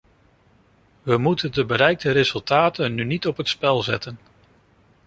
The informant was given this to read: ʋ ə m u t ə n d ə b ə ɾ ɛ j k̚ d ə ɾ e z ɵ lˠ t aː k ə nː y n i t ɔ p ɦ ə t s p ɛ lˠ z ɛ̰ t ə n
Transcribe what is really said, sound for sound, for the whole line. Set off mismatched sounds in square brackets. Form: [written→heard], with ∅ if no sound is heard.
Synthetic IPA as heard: ʋ ə m u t ə n d ə b ə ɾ ɛ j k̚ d ə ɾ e z ɵ lˠ t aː [k→t] ə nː y n i t ɔ p ɦ ə t s p ɛ lˠ z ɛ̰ t ə n